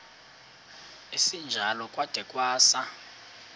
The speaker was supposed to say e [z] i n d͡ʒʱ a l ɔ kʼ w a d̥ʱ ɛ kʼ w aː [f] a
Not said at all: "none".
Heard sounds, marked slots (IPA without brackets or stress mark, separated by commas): s, s